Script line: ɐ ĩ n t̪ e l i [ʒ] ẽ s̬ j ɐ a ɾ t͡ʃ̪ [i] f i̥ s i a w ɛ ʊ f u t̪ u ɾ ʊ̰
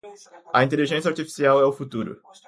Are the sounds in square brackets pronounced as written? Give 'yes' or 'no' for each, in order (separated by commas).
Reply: yes, yes